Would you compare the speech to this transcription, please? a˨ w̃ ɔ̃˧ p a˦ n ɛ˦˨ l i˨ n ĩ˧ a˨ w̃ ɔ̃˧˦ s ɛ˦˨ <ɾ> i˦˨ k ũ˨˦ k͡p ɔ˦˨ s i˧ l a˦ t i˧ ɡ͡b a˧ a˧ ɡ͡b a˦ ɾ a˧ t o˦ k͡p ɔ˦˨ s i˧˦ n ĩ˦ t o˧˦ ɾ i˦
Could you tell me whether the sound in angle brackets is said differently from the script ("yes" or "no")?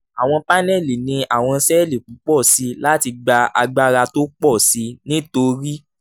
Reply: yes